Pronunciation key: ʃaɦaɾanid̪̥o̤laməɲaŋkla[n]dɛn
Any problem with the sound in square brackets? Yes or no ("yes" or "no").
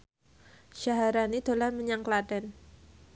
yes